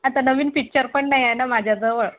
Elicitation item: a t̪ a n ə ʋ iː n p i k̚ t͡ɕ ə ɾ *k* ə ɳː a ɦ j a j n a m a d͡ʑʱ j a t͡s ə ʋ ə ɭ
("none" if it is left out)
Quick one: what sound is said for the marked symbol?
p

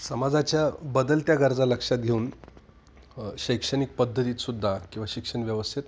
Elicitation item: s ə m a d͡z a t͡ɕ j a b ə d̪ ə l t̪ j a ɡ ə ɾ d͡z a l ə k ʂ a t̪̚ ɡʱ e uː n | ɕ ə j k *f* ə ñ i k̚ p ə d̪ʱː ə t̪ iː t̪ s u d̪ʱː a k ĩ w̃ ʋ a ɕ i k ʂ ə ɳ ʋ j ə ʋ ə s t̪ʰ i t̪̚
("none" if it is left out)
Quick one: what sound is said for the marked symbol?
ʂ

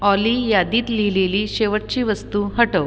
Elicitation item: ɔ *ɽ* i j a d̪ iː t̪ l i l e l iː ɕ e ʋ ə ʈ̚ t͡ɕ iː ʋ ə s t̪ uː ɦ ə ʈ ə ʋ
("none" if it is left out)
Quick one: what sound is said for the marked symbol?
l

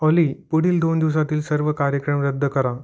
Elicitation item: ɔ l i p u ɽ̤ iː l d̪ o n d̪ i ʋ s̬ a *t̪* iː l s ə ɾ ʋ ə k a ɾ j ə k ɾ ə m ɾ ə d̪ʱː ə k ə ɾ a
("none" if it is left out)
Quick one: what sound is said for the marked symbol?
t̪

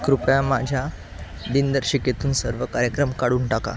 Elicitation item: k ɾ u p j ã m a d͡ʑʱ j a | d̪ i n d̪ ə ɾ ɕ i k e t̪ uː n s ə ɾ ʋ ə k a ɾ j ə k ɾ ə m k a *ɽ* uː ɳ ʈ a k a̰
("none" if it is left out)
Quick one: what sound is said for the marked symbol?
ɽ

